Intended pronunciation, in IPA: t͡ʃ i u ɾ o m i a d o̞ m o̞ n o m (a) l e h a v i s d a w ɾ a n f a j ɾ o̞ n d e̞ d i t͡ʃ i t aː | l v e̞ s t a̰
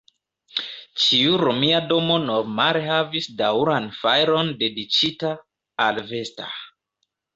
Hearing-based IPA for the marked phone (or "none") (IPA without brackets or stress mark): a